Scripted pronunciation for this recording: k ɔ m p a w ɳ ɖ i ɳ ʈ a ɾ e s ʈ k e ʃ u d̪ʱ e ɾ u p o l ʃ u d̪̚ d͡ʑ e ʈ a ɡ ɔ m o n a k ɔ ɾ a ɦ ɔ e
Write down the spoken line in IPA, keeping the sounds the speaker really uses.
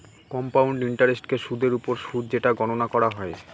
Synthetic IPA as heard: k ɔ m p a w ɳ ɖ i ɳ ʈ a ɾ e s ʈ k e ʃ u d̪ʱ e ɾ u p o ɾ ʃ u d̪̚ d͡ʑ e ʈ a ɡ ɔ n o n a k ɔ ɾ a ɦ ɔ e